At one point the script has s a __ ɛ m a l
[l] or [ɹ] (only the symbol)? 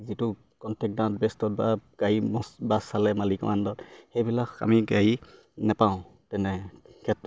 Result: l